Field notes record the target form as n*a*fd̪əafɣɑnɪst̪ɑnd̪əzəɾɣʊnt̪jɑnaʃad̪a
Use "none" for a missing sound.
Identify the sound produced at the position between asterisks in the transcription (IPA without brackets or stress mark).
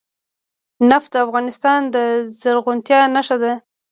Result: a